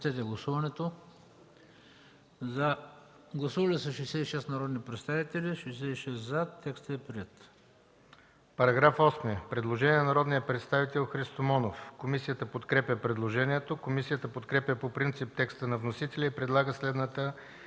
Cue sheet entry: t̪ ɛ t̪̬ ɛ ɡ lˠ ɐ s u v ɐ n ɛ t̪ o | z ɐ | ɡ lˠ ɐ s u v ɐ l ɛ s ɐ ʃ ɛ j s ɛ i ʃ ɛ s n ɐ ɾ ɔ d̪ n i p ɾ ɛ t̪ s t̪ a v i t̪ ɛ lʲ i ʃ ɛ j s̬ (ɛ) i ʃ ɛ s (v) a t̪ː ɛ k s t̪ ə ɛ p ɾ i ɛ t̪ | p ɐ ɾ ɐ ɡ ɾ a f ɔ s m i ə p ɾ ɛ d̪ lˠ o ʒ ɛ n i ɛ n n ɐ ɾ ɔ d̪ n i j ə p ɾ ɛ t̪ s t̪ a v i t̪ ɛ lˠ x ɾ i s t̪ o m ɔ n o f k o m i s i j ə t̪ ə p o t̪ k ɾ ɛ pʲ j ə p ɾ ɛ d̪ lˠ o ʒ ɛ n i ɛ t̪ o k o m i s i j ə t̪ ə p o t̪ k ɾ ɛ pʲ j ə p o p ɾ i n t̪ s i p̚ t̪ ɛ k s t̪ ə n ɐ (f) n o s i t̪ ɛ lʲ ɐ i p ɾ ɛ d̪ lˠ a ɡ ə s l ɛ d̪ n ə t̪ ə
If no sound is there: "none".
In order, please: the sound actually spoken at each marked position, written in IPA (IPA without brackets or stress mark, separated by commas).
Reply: ɛ, z, v